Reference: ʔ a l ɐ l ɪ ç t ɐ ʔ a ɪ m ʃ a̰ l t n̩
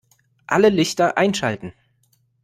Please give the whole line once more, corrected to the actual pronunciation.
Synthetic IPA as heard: ʔ a l ə l ɪ ç t ɐ ʔ a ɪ n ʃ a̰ l t n̩